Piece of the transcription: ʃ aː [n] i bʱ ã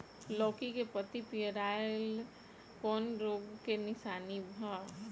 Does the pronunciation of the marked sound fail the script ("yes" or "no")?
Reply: no